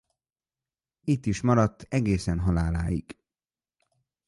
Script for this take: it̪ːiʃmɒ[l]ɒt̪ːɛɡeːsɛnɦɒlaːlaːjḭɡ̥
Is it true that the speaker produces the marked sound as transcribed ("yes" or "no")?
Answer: no